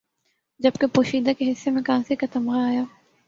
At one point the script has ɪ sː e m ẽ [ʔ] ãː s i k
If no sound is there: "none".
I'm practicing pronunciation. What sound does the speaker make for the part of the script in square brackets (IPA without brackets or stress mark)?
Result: k